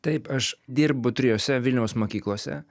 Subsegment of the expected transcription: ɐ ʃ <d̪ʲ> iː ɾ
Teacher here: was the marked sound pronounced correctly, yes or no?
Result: yes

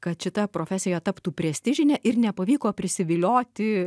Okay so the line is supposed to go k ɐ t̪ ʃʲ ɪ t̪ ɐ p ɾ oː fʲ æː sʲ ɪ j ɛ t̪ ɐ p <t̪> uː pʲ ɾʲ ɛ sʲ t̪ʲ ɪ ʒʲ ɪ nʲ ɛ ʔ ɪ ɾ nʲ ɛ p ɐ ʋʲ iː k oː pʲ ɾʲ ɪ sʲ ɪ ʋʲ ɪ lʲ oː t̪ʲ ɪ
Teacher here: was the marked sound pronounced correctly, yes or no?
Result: yes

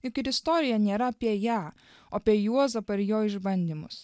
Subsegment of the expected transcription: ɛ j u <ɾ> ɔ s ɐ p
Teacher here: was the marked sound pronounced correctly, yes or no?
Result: no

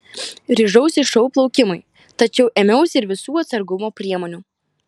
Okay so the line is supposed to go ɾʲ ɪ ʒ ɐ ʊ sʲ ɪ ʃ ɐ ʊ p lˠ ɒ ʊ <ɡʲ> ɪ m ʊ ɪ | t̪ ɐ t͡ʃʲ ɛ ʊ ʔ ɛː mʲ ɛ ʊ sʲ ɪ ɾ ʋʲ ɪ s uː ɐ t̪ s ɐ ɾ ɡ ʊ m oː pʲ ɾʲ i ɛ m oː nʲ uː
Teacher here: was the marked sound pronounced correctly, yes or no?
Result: no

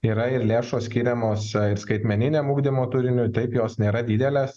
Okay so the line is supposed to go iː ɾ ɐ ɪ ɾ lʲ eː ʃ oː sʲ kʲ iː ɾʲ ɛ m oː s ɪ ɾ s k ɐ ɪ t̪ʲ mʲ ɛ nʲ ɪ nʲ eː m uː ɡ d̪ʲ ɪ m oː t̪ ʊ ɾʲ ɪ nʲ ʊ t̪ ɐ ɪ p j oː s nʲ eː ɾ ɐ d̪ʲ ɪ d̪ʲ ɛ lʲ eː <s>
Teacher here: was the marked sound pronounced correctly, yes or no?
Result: yes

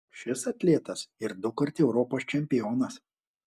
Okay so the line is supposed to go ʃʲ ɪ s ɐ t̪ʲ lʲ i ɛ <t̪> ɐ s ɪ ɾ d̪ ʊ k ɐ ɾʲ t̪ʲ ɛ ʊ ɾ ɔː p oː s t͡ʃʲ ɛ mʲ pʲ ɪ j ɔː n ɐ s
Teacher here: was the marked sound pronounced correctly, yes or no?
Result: yes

